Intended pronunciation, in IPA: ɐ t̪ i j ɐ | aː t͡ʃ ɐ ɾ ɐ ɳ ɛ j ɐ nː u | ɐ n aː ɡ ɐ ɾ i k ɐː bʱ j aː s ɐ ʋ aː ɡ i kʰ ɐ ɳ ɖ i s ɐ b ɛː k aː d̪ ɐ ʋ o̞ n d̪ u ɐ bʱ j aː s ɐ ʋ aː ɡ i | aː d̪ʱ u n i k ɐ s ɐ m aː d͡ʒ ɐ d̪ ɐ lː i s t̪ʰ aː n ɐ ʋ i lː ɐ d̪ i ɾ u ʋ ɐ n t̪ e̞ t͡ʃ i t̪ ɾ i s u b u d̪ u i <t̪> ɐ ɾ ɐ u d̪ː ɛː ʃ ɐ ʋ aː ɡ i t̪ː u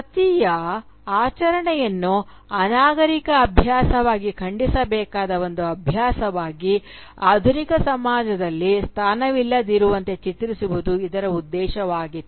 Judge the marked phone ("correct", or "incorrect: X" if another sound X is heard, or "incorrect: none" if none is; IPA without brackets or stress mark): incorrect: d̪